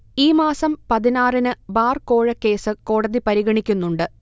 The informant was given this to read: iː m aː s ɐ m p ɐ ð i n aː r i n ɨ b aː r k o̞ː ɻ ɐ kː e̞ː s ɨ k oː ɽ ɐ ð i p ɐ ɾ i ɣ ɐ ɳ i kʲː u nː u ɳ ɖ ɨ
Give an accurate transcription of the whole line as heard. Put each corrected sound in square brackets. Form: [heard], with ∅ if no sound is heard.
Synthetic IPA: iː m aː s ɐ m p ɐ ð i n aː r i n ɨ b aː r k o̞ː ɻ ɐ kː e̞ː s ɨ k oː ɽ ɐ ð i p ɐ ɾ i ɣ ɐ ɳ i kʲː u nː u ɳ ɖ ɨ